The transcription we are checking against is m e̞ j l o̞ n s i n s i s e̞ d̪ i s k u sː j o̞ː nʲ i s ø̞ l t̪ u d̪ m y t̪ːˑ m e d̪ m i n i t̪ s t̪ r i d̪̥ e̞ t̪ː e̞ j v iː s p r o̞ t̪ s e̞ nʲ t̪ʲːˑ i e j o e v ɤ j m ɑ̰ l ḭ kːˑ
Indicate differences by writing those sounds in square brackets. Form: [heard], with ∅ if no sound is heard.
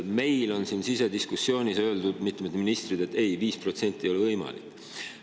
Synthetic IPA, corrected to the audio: m e̞ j l o̞ n s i n s i s e̞ d̪ i s k u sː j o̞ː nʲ i s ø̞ l [d̪] u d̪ m [i] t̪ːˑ m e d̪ m i n i [∅] s t̪ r i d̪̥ e̞ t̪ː e̞ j v iː s p r o̞ t̪ s e̞ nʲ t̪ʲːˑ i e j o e v ɤ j m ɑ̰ l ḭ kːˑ